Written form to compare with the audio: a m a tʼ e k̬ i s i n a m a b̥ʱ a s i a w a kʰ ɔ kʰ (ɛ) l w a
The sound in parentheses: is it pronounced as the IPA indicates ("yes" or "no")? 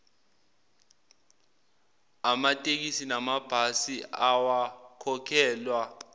no